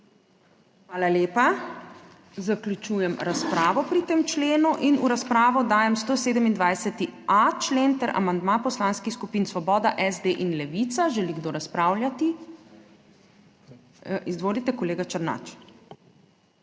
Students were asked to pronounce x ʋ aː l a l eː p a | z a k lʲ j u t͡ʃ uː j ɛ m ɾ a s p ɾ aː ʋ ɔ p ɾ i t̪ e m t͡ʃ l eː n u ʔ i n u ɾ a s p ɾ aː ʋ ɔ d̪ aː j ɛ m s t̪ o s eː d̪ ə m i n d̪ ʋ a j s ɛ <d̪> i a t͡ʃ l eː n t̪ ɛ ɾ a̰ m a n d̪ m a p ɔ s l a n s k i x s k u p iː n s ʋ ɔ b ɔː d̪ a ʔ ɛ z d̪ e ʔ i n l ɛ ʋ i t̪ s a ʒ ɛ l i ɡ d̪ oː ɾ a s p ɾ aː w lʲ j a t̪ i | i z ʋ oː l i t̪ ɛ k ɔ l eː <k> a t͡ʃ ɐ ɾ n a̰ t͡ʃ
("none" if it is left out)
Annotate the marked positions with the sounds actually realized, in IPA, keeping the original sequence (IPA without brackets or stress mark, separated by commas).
t̪, ɡ